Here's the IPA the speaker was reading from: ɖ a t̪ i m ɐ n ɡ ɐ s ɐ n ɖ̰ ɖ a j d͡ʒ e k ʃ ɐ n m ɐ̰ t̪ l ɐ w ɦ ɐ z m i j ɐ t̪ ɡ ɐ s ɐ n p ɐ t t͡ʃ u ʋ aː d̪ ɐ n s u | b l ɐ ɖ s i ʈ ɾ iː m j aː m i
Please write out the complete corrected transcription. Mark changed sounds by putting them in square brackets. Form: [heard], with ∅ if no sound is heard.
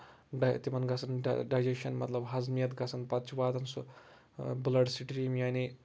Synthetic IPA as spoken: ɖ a t̪ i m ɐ n ɡ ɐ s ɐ n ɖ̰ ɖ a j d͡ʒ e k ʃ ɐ n m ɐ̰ t̪ l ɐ [b] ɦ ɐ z m i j ɐ t̪ ɡ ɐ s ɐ n p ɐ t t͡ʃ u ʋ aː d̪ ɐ n s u | b l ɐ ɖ s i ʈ ɾ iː m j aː [n] i